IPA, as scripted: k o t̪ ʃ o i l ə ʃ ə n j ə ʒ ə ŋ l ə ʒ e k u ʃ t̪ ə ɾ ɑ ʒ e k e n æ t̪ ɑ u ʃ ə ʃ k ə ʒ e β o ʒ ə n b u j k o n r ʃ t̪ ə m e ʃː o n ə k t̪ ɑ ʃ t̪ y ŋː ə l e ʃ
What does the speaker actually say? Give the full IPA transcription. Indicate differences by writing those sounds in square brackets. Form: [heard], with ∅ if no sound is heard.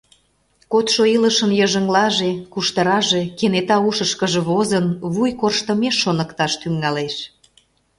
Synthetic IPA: k o t̪ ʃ o i l ə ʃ ə n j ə ʒ ə ŋ l [ɑ] ʒ e k u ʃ t̪ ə ɾ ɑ ʒ e k e n [e] t̪ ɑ u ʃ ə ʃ k ə ʒ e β o [z] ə n [β] u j k o [∅] r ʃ t̪ ə m e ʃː o n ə k t̪ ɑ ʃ t̪ y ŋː [ɑ] l e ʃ